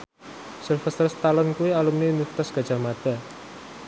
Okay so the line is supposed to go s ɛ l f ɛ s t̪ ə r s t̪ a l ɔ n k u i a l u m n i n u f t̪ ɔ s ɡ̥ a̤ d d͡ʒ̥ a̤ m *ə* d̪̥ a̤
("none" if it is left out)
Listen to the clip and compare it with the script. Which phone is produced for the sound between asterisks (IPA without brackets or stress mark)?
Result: a